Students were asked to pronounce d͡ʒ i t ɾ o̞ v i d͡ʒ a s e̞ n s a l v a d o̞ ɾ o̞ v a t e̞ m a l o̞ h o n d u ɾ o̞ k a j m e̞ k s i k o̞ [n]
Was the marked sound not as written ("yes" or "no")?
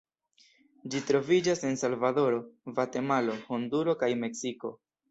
yes